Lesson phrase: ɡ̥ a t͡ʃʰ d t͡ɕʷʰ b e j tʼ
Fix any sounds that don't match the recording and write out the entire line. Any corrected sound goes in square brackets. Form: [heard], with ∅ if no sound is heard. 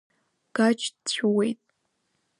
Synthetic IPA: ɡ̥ a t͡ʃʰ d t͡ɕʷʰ [w] e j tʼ

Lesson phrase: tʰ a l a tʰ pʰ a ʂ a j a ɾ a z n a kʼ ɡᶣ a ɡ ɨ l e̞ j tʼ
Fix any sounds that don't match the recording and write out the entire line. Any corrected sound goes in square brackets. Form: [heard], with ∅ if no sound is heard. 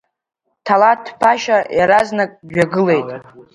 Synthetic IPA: tʰ a l a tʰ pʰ a [ʃ] a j a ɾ a z n a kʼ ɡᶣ a ɡ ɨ l e̞ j tʼ

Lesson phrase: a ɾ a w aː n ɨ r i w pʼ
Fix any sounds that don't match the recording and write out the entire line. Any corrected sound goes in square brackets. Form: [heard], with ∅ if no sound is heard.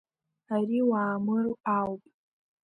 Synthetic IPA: a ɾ [i] w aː [m] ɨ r [a] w pʼ

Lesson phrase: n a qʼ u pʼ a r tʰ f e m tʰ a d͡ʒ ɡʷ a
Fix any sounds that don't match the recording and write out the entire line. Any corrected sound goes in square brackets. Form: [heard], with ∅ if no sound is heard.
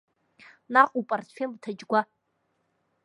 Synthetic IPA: n a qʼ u pʼ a r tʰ f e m tʰ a d͡ʒ ɡʷ a

